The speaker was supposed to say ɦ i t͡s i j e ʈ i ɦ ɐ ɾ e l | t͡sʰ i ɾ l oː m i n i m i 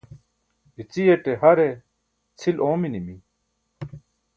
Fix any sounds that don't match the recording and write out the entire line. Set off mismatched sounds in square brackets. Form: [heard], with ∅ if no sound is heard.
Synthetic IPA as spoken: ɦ i t͡s i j e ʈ [e] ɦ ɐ ɾ e [∅] | t͡sʰ i [∅] l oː m i n i m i